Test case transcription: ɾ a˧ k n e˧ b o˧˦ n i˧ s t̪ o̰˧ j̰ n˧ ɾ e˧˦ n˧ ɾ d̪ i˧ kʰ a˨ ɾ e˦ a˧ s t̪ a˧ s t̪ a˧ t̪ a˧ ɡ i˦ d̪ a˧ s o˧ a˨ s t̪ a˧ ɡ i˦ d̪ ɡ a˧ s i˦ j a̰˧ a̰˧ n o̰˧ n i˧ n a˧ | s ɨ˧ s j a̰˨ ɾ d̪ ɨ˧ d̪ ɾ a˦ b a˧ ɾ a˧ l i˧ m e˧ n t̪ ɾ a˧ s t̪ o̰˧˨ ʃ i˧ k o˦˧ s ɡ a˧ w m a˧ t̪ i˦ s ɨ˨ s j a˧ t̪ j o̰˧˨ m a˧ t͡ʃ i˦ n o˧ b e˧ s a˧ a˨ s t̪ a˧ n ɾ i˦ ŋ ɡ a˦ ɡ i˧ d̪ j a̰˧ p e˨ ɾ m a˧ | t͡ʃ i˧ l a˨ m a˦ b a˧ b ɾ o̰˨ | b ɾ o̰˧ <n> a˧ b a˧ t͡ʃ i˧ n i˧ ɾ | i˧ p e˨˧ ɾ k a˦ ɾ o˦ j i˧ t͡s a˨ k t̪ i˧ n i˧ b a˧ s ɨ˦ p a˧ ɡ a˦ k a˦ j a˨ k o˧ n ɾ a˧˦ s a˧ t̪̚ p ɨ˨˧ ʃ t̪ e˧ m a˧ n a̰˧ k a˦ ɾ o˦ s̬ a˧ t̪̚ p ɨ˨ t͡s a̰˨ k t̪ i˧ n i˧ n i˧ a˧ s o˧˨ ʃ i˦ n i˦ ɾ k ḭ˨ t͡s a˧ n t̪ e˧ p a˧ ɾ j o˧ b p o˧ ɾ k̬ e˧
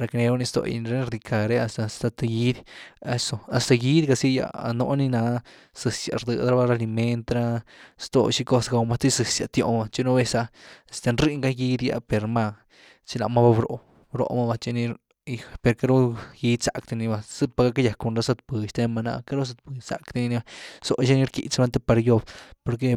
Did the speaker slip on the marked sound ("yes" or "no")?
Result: yes